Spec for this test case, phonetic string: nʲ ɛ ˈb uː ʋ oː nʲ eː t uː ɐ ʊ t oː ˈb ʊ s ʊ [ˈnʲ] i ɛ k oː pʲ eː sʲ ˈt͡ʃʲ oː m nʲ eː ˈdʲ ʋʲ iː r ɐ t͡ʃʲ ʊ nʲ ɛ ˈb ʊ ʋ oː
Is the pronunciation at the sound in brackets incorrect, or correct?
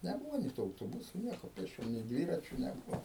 correct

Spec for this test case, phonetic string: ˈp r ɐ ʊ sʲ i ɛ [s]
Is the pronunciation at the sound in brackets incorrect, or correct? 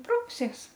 correct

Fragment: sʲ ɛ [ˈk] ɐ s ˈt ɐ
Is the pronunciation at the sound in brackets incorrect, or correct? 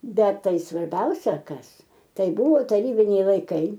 correct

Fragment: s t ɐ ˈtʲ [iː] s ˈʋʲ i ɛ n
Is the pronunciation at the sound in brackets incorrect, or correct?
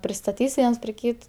correct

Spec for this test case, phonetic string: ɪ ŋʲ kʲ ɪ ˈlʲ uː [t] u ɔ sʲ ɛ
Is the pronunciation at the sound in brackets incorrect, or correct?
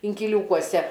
incorrect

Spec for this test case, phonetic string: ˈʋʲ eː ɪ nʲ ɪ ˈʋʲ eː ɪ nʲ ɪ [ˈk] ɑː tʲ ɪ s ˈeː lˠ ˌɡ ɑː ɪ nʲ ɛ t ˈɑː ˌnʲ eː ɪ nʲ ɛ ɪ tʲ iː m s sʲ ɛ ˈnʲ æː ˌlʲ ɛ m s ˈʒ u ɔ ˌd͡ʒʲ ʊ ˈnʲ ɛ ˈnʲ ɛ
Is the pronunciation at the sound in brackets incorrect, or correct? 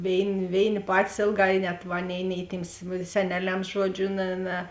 incorrect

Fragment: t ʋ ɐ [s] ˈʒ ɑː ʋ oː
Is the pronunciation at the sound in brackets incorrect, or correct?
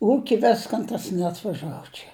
incorrect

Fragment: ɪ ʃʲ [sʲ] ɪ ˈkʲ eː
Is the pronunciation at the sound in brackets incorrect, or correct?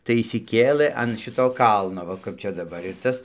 correct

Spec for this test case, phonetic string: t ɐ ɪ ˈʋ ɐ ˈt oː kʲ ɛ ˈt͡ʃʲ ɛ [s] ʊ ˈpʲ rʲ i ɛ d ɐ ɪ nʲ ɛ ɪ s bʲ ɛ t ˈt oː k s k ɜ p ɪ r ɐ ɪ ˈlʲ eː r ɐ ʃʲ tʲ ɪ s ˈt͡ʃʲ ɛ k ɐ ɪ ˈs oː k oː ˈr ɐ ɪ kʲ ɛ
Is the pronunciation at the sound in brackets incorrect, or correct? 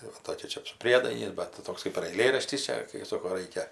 correct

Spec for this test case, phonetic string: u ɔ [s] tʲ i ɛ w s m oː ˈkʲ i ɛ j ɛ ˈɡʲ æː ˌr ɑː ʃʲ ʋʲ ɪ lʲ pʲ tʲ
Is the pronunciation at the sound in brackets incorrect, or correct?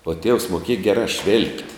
incorrect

